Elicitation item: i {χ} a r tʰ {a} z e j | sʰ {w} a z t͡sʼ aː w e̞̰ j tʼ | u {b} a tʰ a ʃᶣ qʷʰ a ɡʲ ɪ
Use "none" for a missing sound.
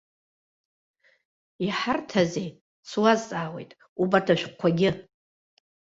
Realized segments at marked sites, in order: ħ, a, w, b

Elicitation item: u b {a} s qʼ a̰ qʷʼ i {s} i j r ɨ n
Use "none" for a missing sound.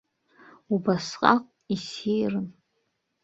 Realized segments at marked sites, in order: a, s

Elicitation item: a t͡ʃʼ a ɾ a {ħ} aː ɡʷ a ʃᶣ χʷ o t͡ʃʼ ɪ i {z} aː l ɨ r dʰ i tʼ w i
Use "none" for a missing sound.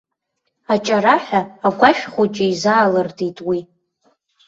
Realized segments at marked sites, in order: ħ, z

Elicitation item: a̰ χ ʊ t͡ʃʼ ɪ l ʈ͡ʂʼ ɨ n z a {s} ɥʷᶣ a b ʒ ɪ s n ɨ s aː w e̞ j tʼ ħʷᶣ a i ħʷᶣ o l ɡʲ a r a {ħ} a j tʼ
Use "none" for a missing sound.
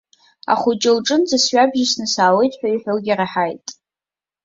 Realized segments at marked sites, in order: s, ħ

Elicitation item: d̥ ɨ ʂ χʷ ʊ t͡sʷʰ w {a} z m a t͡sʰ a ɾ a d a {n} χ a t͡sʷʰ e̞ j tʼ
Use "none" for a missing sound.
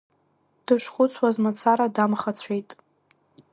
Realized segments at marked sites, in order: a, m

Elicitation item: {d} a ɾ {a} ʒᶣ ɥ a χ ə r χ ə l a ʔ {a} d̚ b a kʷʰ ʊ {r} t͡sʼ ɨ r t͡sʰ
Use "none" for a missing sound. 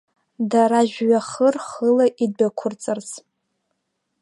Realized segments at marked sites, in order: d, a, i, r

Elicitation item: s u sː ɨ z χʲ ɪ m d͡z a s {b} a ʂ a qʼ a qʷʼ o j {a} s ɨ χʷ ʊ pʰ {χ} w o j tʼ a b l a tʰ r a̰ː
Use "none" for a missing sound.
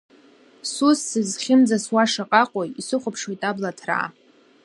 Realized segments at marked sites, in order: w, i, ʂ

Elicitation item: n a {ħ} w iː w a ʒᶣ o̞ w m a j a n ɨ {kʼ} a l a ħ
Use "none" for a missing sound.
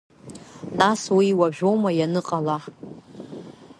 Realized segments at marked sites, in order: s, qʼ

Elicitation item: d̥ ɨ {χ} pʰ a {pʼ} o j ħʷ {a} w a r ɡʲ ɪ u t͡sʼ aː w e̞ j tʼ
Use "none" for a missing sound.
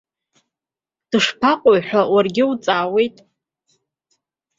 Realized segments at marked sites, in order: ʂ, qʼ, a

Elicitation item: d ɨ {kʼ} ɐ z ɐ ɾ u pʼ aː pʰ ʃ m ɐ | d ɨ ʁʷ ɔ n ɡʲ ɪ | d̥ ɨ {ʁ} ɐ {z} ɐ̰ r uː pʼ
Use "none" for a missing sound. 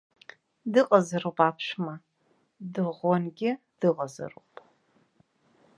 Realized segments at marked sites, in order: qʼ, ʁ, z

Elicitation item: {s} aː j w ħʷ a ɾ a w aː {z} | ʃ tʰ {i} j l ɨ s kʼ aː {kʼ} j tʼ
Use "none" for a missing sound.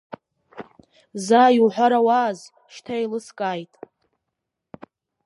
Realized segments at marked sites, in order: z, z, a, none

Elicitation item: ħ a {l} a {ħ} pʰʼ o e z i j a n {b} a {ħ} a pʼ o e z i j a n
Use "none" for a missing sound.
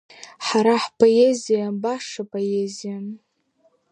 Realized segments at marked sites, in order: ɾ, ħ, b, ʂ

